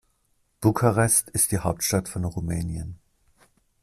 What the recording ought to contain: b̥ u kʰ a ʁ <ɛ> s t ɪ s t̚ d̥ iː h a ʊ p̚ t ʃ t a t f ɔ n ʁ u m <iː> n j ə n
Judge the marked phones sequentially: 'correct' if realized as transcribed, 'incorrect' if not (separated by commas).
correct, incorrect